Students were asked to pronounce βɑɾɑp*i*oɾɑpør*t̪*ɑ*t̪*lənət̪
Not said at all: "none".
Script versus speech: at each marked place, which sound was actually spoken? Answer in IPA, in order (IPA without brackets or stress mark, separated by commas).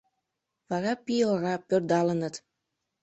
i, d̪, none